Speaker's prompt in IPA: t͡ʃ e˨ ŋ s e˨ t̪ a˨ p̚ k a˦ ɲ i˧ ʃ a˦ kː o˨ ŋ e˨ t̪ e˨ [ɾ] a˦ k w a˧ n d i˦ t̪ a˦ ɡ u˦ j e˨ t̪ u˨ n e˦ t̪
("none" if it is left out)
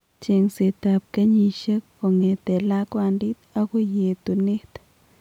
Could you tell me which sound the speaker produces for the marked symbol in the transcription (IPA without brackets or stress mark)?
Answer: l